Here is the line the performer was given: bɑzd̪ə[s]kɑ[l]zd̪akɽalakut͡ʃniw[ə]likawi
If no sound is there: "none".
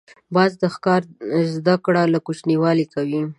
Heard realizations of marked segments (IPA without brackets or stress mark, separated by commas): x, ɾ, ɑ